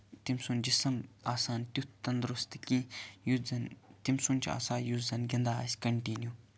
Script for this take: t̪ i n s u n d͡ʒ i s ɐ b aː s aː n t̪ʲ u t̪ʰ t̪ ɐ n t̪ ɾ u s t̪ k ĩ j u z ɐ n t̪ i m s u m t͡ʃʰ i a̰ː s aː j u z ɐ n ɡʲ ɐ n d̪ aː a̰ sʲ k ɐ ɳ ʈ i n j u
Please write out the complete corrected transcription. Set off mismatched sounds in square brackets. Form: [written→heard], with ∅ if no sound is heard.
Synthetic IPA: t̪ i [n→m] s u n d͡ʒ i s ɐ [b→m] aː s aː n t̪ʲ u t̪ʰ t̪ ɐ n [t̪→d̪] ɾ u s t̪ k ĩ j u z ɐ n t̪ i m s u [m→n] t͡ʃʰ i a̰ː s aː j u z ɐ n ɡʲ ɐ n d̪ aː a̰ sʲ k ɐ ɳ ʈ i n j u